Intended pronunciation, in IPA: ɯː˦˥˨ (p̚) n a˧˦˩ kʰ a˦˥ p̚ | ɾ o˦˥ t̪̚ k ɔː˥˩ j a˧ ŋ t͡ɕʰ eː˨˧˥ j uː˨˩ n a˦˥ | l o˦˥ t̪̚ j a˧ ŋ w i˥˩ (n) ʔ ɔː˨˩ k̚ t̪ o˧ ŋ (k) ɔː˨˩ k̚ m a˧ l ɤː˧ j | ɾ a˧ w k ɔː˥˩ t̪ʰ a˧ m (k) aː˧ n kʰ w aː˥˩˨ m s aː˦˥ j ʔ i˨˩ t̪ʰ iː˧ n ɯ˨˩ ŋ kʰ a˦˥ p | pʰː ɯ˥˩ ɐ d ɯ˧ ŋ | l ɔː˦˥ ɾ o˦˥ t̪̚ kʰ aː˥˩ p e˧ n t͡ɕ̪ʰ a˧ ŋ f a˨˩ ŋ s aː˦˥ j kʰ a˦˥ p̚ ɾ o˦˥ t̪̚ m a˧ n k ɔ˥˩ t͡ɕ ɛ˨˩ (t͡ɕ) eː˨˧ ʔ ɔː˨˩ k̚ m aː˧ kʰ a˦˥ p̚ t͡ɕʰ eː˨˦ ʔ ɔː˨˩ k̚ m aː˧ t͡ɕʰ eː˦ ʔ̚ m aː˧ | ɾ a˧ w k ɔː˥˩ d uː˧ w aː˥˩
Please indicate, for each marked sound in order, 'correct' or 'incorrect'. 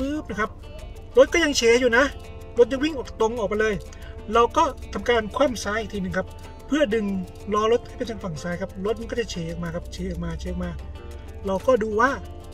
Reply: correct, incorrect, incorrect, correct, incorrect

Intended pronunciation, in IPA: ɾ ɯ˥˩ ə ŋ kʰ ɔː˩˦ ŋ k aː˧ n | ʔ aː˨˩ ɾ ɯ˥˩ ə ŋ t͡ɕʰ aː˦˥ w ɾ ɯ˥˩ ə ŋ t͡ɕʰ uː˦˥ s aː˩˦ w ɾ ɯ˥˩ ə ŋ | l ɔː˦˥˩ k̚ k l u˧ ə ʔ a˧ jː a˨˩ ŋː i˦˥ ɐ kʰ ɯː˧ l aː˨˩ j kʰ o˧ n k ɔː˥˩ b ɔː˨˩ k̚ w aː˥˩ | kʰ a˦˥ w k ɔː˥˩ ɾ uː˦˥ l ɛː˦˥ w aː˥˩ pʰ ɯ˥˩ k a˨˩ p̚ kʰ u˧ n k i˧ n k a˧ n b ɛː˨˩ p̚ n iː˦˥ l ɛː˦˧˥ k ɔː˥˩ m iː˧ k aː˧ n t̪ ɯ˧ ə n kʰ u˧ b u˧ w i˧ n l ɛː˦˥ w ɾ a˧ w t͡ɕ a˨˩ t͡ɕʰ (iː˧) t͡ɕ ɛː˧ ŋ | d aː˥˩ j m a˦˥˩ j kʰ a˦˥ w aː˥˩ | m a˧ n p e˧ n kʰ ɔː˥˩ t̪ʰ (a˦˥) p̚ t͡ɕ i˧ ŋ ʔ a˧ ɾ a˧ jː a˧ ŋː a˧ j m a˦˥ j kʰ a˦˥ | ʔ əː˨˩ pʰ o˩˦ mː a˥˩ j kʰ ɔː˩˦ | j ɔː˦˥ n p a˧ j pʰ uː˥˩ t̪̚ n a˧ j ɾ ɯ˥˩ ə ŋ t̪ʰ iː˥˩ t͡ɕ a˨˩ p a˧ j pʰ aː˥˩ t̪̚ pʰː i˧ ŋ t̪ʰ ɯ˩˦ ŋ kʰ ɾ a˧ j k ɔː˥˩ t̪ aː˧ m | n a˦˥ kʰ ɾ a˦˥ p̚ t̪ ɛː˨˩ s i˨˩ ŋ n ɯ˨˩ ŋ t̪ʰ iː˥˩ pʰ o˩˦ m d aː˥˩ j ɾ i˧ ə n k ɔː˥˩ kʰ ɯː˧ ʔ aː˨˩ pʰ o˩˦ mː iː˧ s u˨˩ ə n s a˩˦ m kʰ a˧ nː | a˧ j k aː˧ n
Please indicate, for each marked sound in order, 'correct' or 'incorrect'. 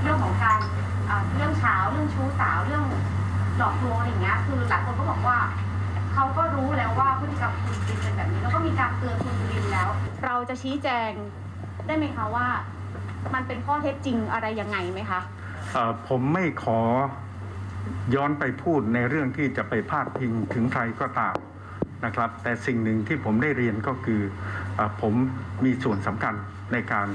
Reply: incorrect, incorrect

